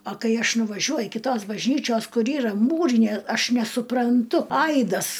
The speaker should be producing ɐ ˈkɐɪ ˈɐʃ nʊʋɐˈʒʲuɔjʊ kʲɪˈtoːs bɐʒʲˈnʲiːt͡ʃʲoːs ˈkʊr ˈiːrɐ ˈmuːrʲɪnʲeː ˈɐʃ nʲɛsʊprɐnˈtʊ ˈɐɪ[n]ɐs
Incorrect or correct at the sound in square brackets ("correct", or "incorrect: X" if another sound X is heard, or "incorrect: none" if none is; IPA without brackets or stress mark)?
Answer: incorrect: d